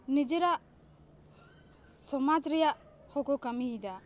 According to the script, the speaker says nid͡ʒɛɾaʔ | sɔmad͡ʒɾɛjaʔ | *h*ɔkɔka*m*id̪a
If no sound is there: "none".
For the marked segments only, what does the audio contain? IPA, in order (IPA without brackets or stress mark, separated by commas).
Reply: h, m